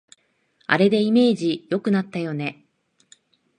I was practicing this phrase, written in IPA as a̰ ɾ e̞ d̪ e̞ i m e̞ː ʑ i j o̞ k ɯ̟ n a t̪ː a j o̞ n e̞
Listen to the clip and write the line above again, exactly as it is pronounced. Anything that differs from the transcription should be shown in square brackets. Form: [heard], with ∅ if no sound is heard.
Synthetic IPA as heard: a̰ ɾ e̞ d̪ e̞ i m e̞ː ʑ i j o̞ k ɯ̟ n a t̪ː a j o̞ n e̞